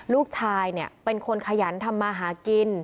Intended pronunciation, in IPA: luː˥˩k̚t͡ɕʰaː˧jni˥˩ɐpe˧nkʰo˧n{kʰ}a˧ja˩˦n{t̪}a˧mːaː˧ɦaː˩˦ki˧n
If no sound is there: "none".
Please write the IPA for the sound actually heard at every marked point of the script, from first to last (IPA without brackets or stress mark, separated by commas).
kʰ, t̪ʰ